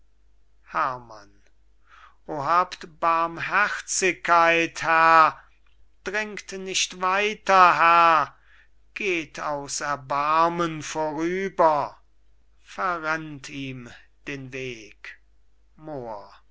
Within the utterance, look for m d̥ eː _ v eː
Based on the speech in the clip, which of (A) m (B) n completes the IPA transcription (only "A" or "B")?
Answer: B